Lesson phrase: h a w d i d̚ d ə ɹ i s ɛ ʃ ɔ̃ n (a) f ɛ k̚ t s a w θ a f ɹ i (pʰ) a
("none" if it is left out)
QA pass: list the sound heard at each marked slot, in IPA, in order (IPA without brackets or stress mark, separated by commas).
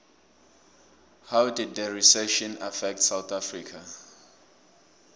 a, kʰ